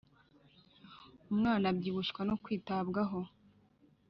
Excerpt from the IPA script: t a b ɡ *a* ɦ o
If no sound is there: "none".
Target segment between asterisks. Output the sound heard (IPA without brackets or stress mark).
a